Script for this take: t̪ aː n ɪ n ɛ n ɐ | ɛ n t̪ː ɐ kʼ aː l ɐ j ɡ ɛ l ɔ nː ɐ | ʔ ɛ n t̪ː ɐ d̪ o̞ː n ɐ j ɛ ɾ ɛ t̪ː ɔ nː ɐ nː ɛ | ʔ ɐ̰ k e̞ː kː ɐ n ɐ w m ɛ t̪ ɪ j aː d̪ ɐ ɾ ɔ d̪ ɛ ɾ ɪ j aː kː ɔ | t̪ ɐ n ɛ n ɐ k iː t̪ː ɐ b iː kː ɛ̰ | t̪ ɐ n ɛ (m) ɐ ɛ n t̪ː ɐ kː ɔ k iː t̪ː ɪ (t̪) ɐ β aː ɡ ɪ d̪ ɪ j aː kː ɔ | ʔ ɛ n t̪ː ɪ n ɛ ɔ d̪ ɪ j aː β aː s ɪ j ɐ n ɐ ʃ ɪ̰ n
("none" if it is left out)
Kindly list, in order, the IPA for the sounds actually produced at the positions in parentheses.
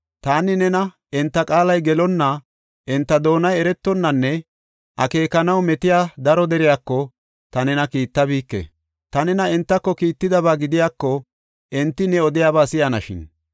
n, d̪

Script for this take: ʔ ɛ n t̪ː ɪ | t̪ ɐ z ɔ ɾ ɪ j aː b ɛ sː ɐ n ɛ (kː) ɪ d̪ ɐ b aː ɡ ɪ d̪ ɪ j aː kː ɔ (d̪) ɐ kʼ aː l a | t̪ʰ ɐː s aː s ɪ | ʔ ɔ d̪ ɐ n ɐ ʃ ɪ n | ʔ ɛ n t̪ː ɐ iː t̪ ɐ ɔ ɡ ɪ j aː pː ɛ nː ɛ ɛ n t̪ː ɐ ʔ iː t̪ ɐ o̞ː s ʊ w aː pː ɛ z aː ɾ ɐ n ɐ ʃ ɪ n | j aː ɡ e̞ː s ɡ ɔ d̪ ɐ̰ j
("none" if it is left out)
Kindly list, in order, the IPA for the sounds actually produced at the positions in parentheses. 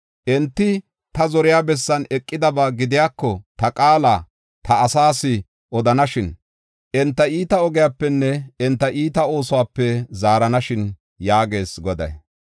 kʼː, t̪

